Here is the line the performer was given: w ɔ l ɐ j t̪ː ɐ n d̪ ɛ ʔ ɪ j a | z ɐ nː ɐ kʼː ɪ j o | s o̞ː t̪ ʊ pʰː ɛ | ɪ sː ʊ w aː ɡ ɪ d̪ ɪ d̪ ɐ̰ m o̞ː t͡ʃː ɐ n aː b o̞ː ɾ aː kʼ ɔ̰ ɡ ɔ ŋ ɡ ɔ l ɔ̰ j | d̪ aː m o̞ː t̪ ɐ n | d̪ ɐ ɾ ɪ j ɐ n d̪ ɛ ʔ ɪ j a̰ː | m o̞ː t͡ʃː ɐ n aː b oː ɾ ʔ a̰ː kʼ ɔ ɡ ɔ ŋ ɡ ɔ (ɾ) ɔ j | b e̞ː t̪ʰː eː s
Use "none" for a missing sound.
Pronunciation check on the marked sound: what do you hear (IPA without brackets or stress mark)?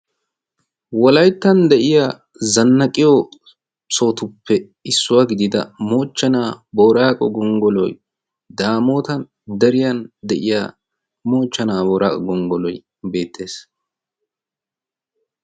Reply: l